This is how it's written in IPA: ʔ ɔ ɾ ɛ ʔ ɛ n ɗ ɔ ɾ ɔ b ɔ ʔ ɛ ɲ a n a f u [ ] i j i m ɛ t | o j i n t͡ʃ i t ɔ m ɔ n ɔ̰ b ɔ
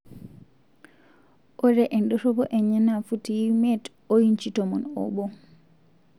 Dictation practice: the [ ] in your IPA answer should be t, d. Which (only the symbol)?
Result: t